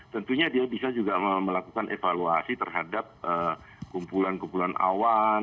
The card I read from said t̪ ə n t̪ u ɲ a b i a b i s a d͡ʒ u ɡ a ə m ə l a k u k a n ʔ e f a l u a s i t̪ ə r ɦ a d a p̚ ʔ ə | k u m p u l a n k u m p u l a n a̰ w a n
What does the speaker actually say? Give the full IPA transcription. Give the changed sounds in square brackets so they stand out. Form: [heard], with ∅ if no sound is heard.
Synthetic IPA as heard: t̪ ə n t̪ u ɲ a [d] i a b i s a d͡ʒ u ɡ a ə m ə l a k u k a n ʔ e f a l u a s i t̪ ə r ɦ a d a p̚ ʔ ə | k u m p u l a n k u m p u l a n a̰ w a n